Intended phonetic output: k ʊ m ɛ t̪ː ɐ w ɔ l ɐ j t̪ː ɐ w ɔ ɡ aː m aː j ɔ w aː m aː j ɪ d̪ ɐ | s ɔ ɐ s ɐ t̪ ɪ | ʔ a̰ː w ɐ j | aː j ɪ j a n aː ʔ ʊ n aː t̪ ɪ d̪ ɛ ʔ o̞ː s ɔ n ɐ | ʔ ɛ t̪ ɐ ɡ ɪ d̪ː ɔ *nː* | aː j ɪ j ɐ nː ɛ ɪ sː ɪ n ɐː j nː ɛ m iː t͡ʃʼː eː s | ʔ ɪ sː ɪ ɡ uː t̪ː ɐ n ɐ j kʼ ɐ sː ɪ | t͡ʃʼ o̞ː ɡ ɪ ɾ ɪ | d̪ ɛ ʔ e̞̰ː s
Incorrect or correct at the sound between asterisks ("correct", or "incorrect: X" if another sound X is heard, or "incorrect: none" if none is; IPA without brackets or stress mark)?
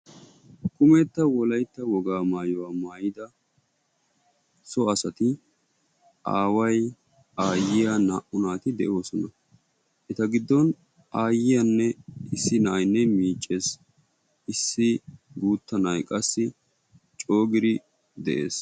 incorrect: n